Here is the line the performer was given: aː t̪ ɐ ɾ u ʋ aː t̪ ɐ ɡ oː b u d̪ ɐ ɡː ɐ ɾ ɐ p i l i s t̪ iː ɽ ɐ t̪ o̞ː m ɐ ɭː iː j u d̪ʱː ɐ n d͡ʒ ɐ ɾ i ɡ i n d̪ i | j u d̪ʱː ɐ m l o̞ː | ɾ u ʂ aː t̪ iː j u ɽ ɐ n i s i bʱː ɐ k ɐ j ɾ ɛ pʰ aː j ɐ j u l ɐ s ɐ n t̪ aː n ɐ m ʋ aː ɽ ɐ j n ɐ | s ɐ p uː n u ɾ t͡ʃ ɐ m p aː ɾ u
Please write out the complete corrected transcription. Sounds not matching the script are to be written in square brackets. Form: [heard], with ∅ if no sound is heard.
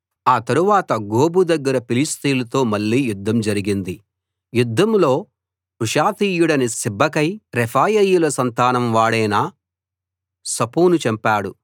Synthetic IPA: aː t̪ ɐ ɾ u ʋ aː t̪ ɐ ɡ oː b u d̪ ɐ ɡː ɐ ɾ ɐ p i l i s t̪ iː [l] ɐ t̪ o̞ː m ɐ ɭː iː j u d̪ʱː ɐ [m] d͡ʒ ɐ ɾ i ɡ i n d̪ i | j u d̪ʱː ɐ m l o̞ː | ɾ u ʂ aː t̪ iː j u ɽ ɐ n i s i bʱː ɐ k ɐ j ɾ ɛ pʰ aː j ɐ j u l ɐ s ɐ n t̪ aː n ɐ m ʋ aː ɽ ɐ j n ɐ | s ɐ p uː n u [∅] t͡ʃ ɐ m p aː [ɽ] u